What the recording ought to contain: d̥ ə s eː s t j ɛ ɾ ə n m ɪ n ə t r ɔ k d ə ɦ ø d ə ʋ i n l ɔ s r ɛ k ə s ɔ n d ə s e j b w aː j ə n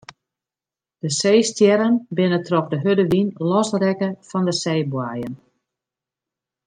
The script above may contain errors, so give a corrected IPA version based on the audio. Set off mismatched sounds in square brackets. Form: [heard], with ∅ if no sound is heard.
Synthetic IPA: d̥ ə s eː s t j ɛ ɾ ə n [b] ɪ n ə t r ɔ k d ə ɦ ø d ə ʋ i n l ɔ s r ɛ k ə [f] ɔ n d ə s e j b w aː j ə n